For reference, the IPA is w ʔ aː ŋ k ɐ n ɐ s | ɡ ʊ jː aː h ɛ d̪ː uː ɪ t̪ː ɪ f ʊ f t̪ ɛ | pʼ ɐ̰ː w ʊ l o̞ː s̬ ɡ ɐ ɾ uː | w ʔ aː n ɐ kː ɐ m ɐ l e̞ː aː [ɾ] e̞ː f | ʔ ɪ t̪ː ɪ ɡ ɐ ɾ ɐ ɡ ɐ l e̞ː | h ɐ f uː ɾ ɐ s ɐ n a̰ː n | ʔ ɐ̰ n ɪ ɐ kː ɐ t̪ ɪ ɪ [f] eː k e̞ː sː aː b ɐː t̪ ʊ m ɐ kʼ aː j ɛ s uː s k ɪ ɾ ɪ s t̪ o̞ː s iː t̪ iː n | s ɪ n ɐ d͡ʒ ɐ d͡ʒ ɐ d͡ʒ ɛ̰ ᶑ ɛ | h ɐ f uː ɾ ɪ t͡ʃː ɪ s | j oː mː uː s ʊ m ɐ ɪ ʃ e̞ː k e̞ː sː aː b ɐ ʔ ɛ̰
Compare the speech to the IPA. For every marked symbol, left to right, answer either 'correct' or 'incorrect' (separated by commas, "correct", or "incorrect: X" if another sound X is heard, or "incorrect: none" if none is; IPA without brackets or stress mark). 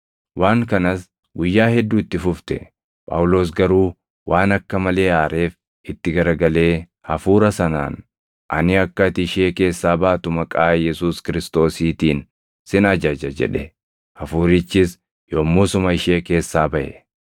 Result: correct, incorrect: ʃ